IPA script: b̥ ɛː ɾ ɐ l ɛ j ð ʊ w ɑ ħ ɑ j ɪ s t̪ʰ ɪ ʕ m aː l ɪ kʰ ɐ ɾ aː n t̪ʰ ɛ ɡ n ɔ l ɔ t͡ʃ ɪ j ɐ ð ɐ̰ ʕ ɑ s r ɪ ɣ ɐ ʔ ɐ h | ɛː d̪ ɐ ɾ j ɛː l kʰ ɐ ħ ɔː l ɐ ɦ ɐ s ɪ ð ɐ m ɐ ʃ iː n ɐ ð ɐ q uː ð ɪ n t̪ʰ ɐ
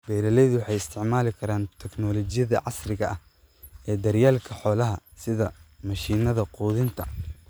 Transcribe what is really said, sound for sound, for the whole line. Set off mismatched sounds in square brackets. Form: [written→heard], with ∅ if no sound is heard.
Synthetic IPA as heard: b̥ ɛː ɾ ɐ l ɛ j ð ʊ w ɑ ħ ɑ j ɪ s t̪ʰ ɪ ʕ m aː l ɪ kʰ ɐ ɾ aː n t̪ʰ ɛ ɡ n ɔ l ɔ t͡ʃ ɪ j ɐ ð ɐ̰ ʕ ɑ s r ɪ ɣ ɐ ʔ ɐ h | ɛː d̪ ɐ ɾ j [ɛː→aː] l kʰ ɐ ħ ɔː l ɐ ɦ ɐ s ɪ ð ɐ m ɐ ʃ iː n ɐ ð ɐ q uː ð ɪ n t̪ʰ ɐ